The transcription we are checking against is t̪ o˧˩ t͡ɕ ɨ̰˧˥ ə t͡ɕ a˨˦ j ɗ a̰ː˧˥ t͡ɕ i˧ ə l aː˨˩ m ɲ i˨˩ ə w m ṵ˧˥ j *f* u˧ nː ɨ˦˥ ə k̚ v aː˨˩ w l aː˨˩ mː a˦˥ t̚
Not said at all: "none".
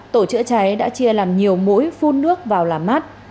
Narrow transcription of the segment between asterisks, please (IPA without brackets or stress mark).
f